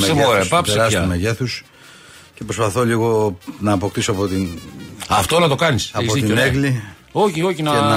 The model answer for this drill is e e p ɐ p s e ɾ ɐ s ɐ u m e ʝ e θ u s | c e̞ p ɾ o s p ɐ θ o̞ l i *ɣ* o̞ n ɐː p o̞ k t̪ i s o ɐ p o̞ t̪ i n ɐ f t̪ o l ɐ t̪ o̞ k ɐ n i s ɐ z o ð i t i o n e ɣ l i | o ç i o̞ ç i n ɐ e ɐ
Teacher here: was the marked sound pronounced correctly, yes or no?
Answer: yes